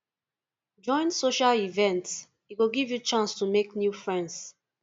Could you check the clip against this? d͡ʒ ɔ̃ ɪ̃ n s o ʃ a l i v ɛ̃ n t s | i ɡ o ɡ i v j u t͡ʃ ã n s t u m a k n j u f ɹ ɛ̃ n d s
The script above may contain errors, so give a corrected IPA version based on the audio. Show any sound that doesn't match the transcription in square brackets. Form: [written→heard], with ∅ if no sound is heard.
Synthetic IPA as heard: d͡ʒ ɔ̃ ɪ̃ n s o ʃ a l i v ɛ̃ n t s | i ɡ o ɡ i v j u t͡ʃ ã n s t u m [a→e] k n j u f ɹ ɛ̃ n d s